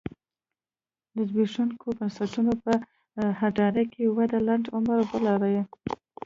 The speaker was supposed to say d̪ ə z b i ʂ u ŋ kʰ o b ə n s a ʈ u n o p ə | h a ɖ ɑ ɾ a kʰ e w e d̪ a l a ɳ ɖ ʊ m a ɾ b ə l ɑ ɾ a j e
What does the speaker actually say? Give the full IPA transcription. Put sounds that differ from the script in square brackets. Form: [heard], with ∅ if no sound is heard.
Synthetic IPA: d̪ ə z b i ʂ u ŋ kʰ o b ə n s a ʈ u n o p ə | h a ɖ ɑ ɾ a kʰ e w [a] d̪ a l a ɳ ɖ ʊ m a ɾ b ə l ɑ ɾ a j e